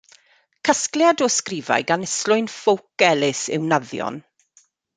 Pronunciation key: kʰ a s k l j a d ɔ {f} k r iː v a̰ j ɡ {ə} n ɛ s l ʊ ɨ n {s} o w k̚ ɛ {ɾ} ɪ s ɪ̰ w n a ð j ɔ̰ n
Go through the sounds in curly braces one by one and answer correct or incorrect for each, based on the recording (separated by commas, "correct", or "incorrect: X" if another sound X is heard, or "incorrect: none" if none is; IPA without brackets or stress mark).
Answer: incorrect: s, incorrect: a, incorrect: f, incorrect: l